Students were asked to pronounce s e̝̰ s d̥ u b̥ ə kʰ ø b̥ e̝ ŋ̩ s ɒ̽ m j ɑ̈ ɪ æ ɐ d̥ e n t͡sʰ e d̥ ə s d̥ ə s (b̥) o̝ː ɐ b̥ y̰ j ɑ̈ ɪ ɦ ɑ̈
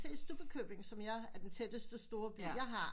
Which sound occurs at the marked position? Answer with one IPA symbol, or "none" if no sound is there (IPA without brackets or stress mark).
d̥